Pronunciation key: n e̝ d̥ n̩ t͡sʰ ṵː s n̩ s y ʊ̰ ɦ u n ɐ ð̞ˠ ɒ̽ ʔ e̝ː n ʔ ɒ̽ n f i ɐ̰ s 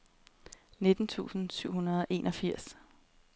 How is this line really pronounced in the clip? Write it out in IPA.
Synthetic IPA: n e̝ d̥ n̩ t͡sʰ ṵː s n̩ s y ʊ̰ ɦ u n ɐ ð̞ˠ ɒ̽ ʔ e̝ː n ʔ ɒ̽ f i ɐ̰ s